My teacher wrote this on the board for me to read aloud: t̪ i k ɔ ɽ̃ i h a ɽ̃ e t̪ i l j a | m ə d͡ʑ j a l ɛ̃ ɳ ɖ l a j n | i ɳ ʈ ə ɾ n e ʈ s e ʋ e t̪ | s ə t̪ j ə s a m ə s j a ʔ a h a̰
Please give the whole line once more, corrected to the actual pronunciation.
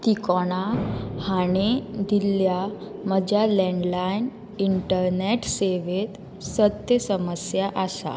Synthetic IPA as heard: t̪ i k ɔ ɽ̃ a h a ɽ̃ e d̪ i l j a | m ə d͡ʑ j a l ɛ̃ ɳ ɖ l a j n | i ɳ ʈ ə ɾ n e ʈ s e ʋ e t̪ | s ə t̪ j ə s ə m ə s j a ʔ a s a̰